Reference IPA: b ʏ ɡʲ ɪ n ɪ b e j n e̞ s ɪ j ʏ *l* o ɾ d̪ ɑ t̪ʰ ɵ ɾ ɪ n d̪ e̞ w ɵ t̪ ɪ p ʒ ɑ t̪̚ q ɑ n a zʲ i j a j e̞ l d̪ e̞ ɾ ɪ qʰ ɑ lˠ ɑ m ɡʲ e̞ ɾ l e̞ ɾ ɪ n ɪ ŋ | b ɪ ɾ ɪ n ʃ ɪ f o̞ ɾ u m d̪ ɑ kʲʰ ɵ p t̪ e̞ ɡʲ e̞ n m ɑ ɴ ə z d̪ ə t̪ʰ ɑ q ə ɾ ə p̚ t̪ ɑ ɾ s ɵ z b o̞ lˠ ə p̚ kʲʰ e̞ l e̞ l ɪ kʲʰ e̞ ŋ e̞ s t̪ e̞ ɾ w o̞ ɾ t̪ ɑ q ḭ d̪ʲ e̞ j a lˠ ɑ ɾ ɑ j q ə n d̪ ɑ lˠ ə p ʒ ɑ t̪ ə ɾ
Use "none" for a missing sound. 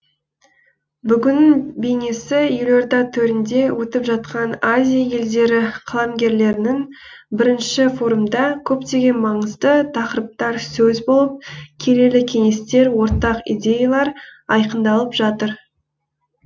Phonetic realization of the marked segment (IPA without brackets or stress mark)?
l